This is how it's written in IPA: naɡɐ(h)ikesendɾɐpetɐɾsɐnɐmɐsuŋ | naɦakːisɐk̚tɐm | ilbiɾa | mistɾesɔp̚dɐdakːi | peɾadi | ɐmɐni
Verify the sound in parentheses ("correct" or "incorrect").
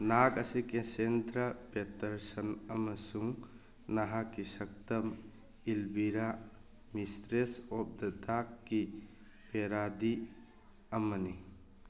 incorrect